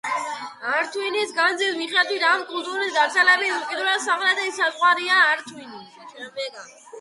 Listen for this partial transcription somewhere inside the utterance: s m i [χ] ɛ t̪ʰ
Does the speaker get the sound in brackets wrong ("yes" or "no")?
no